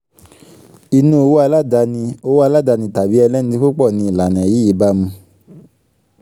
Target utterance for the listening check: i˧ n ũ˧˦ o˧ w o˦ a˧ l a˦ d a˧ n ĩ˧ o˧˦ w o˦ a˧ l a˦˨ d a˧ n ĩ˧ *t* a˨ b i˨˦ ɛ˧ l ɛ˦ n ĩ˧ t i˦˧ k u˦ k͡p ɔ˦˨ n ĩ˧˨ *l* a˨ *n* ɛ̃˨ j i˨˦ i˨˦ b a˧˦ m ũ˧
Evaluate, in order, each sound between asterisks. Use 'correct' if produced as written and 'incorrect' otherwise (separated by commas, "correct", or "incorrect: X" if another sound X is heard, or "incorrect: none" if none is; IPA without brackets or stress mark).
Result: correct, correct, correct